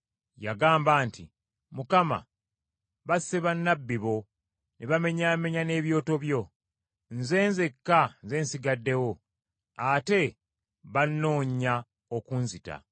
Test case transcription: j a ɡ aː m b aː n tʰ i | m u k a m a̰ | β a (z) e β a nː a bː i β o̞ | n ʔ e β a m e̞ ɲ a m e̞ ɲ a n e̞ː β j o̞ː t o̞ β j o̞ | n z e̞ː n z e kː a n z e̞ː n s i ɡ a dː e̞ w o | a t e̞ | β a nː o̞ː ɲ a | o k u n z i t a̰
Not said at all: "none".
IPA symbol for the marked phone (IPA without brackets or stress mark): s